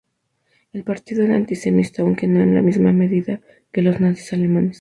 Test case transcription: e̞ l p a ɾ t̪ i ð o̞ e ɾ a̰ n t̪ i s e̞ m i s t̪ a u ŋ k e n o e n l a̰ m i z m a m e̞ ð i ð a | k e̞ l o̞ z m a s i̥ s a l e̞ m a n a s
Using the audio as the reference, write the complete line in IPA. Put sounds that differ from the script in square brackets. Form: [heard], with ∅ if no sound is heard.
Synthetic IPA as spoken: e̞ l p a ɾ t̪ i ð o̞ e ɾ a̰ n t̪ i s e̞ m i s t̪ a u ŋ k e n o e n l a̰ m i z m a m e̞ ð i ð a | k e̞ l o̞ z [n] a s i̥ s a l e̞ m a n [e] s